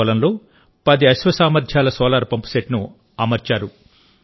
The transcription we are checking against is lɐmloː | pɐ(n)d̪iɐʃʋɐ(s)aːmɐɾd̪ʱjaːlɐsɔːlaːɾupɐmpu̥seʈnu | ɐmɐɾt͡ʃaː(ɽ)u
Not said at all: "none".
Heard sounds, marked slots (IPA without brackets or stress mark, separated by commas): none, s, ɾ